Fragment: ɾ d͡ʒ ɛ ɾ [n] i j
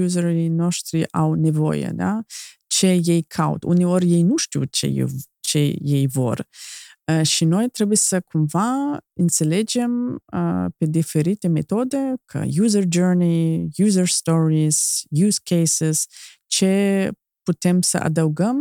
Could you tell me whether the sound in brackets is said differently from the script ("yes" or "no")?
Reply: no